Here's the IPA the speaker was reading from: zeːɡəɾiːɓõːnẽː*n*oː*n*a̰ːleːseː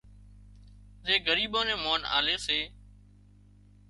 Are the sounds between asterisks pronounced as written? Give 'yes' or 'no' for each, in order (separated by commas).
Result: no, yes